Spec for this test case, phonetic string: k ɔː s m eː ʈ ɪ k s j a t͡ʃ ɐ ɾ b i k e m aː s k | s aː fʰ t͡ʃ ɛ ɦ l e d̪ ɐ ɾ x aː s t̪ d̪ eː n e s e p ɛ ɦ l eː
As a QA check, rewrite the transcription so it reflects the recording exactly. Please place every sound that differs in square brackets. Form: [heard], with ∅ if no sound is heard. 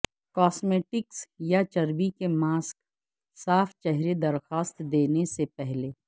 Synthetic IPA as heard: k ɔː s m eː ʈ ɪ k s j a t͡ʃ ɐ ɾ b i k e m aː s k | s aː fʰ t͡ʃ ɛ ɦ [ɾ] e d̪ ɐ ɾ x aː s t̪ d̪ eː n e s e p ɛ ɦ l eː